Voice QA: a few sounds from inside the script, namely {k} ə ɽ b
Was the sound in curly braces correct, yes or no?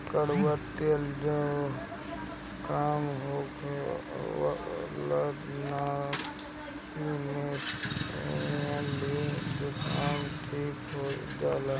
yes